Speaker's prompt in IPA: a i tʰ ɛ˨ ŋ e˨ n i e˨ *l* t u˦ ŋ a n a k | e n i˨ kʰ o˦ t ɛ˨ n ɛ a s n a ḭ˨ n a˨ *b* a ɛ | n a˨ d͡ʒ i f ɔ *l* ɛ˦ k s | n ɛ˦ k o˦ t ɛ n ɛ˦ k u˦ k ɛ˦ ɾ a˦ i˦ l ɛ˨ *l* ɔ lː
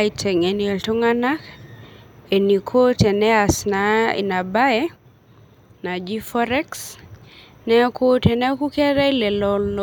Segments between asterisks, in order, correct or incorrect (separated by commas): correct, correct, incorrect, correct